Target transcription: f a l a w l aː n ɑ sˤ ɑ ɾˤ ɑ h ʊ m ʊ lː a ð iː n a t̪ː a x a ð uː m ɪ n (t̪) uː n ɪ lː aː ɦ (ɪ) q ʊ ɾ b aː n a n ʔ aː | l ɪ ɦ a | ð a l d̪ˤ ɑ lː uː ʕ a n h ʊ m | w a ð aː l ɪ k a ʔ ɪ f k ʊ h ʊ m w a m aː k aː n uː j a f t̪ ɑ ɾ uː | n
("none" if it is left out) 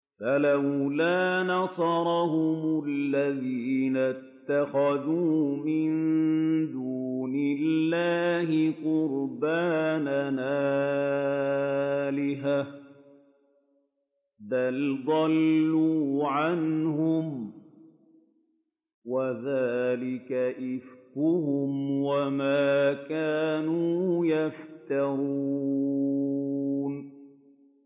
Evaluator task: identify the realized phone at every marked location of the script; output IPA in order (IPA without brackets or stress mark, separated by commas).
d̪, ɪ